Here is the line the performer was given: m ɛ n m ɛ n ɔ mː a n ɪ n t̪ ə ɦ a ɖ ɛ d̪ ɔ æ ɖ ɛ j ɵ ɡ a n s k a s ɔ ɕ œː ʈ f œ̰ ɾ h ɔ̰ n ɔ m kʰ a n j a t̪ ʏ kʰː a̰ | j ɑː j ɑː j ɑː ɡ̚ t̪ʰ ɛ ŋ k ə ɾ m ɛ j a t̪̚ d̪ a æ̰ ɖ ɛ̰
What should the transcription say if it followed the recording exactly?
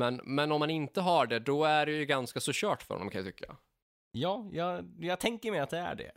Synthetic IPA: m ɛ n m ɛ n ɔ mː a n ɪ n t̪ ə ɦ a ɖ ɛ d̪ ɔ æ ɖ ɛ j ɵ ɡ a n s k a s ɔ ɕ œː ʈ f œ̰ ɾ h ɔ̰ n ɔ m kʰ a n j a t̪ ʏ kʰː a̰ | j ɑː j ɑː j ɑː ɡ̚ t̪ʰ ɛ ŋ k ə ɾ m ɛ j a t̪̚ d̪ ɛ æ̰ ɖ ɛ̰